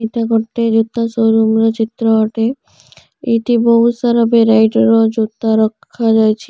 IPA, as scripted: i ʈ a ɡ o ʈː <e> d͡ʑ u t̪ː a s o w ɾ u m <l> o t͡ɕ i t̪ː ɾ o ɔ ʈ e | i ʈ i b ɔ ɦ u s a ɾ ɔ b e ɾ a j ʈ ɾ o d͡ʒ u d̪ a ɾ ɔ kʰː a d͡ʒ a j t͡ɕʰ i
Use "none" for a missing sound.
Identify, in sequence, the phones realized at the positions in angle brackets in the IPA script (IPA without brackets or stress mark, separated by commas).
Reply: e, ɾ